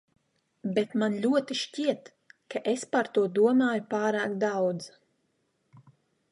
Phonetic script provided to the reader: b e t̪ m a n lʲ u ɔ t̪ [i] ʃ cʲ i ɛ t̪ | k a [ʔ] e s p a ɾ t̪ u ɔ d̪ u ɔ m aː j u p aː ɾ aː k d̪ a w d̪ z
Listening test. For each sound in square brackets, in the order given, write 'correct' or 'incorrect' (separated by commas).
correct, correct